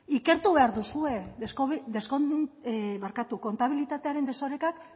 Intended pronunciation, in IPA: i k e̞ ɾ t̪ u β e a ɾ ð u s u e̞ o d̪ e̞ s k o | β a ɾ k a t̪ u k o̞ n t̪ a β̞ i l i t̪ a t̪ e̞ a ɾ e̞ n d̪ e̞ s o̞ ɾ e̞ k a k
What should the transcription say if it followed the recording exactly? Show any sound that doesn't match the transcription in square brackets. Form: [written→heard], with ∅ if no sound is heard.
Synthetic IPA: i k e̞ ɾ t̪ u β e a ɾ ð u s u e̞ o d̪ e̞ s k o | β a ɾ k a t̪ u k o̞ n t̪ a β̞ i l i t̪ a t̪ e̞ a ɾ e̞ n d̪ e̞ s o̞ ɾ e̞ k a k